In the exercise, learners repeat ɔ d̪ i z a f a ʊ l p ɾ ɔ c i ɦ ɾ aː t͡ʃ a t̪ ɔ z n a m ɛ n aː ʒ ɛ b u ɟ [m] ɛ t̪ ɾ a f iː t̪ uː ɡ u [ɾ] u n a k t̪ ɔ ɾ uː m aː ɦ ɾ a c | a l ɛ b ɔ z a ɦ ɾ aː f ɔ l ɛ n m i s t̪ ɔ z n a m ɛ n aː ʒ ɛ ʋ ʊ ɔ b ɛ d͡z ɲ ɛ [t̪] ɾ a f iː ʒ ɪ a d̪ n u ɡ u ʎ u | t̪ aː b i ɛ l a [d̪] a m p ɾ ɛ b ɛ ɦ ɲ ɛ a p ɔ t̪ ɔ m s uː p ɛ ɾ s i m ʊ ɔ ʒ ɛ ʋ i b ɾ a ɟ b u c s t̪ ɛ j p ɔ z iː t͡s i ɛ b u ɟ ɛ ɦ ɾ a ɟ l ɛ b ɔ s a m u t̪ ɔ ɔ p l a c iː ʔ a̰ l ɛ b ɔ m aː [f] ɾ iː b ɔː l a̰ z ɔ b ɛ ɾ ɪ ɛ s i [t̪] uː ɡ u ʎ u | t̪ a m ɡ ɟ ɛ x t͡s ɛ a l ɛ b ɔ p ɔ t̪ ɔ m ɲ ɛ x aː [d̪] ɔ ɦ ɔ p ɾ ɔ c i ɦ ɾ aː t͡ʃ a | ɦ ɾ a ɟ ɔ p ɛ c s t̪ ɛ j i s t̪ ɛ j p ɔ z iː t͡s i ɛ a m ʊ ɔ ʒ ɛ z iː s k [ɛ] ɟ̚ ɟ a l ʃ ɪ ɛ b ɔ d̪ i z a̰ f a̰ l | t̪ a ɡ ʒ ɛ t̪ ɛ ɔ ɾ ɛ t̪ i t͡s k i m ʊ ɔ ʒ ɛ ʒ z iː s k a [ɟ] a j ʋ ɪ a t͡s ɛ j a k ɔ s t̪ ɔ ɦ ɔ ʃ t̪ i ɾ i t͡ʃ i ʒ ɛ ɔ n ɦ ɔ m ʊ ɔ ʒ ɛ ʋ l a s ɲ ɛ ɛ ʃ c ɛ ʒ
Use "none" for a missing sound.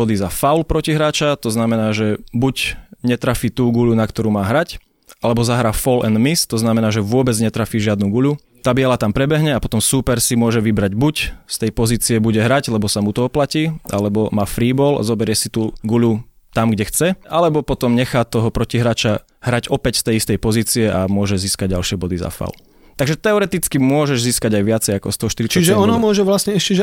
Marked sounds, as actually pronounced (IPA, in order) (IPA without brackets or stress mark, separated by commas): ɲ, ʎ, t̪, t̪, f, t̪, t̪, a, ɟ